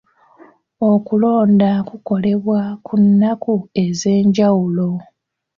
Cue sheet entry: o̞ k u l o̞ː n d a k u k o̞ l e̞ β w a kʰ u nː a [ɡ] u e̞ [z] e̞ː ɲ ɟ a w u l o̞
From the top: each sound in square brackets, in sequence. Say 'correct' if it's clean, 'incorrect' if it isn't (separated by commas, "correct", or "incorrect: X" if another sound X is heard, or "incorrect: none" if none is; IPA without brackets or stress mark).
incorrect: k, correct